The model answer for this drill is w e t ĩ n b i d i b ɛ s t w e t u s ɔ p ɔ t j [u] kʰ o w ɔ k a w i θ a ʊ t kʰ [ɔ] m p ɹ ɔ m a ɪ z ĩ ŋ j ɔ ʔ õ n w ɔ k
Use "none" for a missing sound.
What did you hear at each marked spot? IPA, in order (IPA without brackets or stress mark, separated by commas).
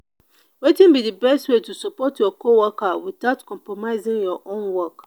ɔ, ɔ̃